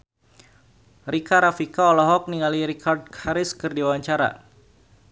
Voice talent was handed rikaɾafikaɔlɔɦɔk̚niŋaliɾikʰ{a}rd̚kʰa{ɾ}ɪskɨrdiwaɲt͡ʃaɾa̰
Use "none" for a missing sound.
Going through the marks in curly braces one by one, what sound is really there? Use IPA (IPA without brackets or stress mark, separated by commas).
a, ɾ